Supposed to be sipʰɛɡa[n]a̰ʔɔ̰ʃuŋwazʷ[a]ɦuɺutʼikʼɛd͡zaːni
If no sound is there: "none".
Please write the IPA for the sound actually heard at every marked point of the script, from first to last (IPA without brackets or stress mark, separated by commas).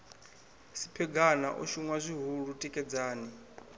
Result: n, i